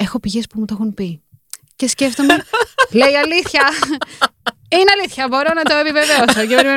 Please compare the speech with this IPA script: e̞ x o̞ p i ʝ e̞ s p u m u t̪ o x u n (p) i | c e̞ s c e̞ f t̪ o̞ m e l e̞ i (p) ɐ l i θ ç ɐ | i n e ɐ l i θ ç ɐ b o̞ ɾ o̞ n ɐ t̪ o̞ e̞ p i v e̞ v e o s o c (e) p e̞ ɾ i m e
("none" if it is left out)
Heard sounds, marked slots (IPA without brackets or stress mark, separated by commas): p, none, e